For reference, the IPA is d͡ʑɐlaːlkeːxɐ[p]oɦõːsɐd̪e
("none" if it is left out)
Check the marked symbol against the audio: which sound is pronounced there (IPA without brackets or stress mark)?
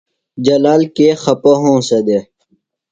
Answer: p